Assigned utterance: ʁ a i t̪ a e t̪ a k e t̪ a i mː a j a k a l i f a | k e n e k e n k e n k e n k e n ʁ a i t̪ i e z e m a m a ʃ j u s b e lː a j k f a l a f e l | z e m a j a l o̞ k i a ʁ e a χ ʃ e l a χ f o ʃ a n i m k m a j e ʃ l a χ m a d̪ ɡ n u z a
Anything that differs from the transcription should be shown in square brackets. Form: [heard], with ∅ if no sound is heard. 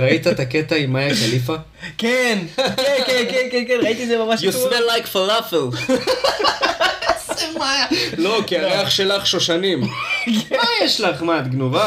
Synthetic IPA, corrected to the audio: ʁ a i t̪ a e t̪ a k e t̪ a i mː a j a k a l i f a | k e n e k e n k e n k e n k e n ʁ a i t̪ i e z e m a m a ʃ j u s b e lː a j k f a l a f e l | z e m a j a l o̞ k i a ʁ e a χ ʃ e l a χ [ʃ] o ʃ a n i m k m a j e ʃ l a χ m a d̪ ɡ n u [v] a